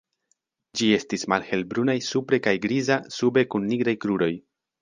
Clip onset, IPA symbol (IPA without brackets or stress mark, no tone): d͡ʒ